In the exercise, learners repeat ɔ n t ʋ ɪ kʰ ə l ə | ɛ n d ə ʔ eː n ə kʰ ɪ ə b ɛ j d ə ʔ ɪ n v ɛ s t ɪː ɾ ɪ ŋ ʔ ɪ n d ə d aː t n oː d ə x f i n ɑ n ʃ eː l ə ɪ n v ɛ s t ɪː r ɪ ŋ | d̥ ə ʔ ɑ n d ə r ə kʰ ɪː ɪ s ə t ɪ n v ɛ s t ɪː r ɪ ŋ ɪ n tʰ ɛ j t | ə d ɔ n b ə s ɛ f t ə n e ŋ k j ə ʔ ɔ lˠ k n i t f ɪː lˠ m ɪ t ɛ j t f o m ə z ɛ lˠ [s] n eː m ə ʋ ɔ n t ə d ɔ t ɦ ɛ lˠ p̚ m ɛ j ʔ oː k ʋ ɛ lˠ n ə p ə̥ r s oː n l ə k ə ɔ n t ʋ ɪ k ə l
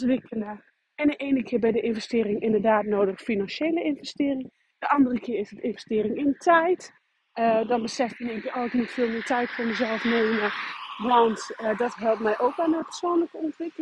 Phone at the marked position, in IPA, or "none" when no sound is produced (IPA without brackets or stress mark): f